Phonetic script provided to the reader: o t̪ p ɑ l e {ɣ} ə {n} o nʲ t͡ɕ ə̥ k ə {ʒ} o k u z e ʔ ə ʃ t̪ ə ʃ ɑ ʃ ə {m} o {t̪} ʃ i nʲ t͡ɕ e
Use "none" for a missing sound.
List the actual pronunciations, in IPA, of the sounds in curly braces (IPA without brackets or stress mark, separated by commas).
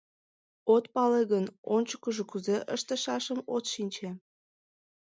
ɣ, n, ʒ, m, t̪